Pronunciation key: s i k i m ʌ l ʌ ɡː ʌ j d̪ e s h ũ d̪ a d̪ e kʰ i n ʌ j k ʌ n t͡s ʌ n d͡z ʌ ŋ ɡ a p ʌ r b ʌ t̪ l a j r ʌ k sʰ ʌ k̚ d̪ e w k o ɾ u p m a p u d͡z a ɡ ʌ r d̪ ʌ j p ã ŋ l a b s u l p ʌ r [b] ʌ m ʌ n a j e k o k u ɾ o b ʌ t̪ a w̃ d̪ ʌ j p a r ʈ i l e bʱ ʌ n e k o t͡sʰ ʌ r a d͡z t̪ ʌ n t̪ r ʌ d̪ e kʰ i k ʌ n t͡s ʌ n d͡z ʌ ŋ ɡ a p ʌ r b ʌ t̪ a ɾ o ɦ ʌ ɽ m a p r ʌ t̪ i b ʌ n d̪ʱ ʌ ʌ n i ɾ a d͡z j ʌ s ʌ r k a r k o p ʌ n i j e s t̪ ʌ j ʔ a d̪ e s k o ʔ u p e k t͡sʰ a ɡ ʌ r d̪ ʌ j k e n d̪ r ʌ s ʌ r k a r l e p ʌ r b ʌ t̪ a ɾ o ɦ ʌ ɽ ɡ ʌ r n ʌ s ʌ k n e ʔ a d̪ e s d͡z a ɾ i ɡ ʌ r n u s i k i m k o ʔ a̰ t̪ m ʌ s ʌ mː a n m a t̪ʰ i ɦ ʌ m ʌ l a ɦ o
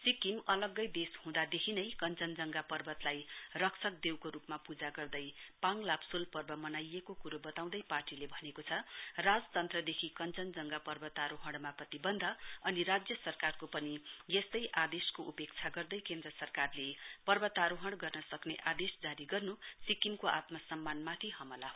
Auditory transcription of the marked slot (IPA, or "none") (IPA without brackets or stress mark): b